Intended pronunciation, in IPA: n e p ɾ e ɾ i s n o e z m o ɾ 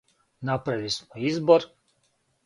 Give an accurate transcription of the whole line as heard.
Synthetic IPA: n a p ɾ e l i s m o i z b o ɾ